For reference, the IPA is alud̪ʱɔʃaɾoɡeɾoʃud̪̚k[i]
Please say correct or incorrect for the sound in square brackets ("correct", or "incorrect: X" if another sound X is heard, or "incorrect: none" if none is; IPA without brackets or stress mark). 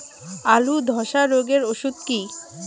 correct